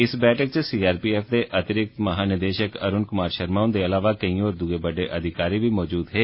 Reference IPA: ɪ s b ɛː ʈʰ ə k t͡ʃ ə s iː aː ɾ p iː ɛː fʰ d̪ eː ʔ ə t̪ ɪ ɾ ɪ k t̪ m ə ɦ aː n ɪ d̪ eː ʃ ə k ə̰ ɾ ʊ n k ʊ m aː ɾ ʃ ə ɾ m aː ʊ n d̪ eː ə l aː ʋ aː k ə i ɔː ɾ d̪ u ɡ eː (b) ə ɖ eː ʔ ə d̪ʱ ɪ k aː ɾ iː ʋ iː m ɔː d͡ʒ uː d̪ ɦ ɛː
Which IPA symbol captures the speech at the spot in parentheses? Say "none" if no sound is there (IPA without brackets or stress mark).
b